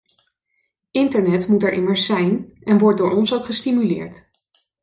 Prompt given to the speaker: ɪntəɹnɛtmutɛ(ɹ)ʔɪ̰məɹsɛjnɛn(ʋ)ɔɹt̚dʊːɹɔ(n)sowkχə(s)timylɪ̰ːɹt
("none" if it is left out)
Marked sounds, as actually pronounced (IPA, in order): ɹ, ʋ, n, s

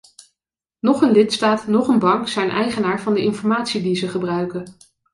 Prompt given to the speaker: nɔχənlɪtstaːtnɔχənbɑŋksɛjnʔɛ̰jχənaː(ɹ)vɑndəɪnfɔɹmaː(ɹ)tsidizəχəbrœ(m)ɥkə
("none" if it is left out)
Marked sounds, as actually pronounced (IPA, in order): ɹ, none, none

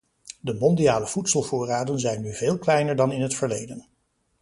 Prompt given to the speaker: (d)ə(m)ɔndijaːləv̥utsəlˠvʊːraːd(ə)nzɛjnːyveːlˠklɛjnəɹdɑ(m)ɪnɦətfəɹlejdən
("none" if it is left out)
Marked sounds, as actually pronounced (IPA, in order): d, m, ə, n

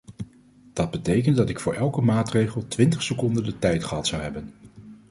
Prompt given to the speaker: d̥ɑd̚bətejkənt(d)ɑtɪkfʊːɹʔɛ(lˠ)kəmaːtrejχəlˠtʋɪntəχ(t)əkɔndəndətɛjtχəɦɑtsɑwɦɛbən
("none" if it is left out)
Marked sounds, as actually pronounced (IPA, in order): d, lˠ, s

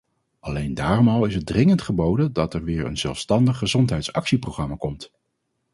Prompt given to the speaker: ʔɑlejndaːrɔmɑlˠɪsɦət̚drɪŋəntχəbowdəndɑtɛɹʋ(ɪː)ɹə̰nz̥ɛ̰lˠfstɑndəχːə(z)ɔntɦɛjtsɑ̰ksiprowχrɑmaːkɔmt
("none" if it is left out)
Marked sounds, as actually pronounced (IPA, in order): ɪː, z

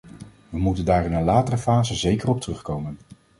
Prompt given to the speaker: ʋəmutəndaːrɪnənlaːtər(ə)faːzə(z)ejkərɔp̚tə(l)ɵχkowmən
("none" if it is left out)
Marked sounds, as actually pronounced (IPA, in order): ə, z, r

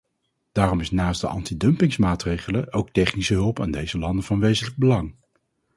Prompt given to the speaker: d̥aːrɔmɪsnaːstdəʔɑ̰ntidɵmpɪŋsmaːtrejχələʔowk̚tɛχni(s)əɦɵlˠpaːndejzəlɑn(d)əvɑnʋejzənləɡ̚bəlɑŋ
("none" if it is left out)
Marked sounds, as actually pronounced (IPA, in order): s, d

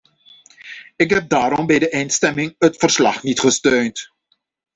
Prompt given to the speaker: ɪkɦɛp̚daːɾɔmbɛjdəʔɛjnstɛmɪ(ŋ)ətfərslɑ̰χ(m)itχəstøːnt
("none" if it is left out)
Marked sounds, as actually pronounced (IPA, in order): ŋ, n

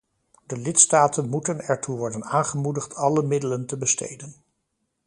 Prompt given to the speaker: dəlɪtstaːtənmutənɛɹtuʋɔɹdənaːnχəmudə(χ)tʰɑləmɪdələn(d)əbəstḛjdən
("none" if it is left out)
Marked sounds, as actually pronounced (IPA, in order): χ, t

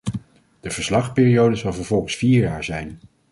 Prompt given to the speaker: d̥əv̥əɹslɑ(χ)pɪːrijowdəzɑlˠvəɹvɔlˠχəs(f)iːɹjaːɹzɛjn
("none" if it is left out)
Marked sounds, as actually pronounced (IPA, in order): χ, f

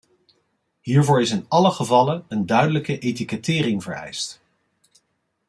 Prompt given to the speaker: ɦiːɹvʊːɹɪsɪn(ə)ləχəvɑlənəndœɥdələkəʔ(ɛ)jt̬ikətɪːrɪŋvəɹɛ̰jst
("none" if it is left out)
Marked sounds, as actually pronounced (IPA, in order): ɑ, e

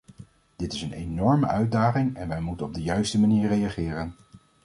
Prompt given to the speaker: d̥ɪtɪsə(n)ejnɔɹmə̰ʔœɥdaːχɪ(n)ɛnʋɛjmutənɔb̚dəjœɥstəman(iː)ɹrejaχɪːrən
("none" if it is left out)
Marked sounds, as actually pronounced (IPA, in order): n, ŋ, iː

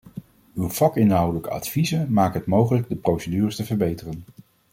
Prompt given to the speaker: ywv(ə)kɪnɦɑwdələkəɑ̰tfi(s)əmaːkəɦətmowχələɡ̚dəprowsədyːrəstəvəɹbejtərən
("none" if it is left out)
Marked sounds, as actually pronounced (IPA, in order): ɑ, z

